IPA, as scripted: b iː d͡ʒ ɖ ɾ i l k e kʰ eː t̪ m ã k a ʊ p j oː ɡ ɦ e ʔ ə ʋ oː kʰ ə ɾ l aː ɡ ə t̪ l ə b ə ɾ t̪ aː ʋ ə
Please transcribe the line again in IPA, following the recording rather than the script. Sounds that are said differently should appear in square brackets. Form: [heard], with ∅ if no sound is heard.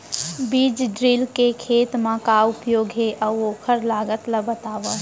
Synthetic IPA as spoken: b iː d͡ʒ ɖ ɾ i l k e kʰ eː t̪ m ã k a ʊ p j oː ɡ ɦ e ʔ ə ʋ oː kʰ ə ɾ l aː ɡ ə t̪ l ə b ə [∅] t̪ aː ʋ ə